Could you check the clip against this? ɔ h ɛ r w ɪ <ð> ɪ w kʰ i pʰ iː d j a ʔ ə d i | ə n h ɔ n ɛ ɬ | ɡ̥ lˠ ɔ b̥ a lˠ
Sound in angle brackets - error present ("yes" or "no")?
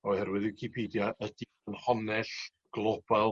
no